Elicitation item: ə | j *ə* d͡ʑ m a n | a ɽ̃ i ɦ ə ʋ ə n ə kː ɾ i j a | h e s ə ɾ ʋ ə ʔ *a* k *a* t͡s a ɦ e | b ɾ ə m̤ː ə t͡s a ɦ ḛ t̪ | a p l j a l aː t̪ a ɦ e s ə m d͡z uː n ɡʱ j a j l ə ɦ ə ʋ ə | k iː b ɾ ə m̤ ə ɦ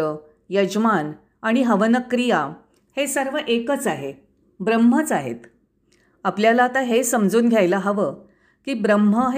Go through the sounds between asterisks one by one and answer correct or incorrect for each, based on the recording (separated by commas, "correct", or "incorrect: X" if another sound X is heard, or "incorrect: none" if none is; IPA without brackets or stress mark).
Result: correct, incorrect: e, incorrect: ə